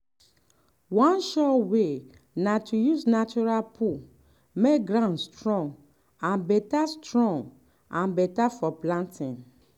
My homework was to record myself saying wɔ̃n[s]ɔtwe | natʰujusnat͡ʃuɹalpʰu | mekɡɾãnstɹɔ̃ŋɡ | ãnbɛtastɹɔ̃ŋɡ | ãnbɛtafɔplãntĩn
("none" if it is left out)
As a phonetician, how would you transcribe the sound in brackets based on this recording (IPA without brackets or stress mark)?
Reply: ʃ